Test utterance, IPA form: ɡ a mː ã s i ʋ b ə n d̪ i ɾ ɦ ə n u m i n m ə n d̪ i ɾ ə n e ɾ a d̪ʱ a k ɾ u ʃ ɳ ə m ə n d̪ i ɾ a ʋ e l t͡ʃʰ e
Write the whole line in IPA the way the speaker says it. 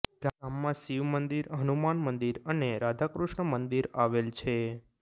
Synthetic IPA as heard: ɡ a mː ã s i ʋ m ə n d̪ i ɾ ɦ ə n u m a n m ə n d̪ i ɾ ə n e ɾ a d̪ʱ a k ɾ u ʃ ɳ ə m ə n d̪ i ɾ a ʋ e l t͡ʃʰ e